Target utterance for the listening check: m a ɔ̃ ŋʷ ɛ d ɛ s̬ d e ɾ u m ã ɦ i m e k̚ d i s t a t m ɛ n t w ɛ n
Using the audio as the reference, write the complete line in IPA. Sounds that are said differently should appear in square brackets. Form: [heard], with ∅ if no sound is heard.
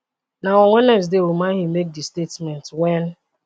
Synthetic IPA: [n] a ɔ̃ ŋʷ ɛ [n] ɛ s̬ d e ɾ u m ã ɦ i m e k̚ d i s t [e] t m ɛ n t w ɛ n